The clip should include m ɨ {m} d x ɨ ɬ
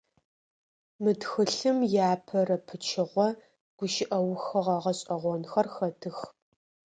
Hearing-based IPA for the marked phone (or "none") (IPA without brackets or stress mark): none